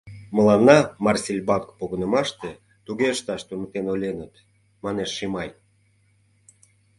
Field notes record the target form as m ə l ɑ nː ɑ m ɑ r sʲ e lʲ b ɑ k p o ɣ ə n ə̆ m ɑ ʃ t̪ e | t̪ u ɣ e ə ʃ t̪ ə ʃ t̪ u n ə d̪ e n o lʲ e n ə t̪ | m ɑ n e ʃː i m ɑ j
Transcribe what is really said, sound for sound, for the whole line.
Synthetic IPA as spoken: m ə l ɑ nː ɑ m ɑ r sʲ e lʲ b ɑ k p o ɣ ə n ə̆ m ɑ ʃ t̪ e | t̪ u ɣ e ə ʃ t̪ ɑ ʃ t̪ u n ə t̪ e n o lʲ e n ə t̪ | m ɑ n e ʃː i m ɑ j